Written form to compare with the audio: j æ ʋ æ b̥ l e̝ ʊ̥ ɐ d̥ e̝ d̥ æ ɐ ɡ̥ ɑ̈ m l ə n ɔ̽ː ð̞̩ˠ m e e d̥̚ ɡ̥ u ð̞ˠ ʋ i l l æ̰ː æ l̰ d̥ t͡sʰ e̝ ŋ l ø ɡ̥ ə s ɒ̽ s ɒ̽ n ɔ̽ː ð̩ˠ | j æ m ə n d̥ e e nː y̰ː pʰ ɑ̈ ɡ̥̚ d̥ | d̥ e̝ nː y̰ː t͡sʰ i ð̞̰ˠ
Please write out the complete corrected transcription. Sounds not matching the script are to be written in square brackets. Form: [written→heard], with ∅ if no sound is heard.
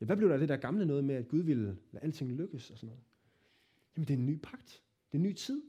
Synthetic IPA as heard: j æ ʋ æ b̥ l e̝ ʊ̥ [ɐ→ɑ] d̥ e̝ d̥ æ ɐ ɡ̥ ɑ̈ m l ə n ɔ̽ː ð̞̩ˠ m e [e→æ] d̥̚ ɡ̥ u ð̞ˠ ʋ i l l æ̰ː æ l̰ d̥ t͡sʰ e̝ ŋ l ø ɡ̥ ə s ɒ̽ s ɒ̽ n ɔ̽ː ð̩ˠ | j æ m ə n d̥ e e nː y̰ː pʰ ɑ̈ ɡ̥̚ d̥ | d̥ e̝ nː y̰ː t͡sʰ i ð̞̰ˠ